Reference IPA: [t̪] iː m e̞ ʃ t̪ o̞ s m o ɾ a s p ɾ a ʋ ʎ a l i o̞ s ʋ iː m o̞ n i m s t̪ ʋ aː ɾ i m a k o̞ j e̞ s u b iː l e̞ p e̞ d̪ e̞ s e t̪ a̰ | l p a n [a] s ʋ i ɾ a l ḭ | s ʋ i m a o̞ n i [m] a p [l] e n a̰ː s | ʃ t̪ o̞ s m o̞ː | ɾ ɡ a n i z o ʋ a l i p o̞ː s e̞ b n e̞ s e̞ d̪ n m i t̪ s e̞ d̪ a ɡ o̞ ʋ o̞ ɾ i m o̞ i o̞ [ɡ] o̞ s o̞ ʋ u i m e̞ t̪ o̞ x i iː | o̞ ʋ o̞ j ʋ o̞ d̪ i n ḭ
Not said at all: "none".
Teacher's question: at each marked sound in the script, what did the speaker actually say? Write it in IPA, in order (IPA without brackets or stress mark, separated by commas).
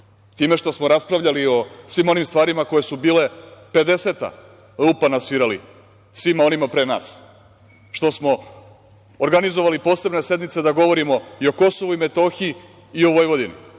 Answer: t̪, a, m, ɾ, k